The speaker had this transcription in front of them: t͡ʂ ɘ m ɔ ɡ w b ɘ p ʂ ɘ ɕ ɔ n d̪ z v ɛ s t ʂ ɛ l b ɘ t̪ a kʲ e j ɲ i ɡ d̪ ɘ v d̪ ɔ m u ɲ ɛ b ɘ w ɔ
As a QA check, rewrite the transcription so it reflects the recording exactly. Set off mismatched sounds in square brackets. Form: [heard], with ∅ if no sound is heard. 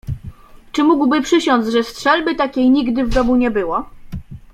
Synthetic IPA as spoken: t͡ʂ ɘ m [u] ɡ w b ɘ p ʂ ɘ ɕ ɔ n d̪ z [ʐ] ɛ s t ʂ ɛ l b ɘ t̪ a kʲ e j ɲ i ɡ d̪ ɘ v d̪ ɔ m u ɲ ɛ b ɘ w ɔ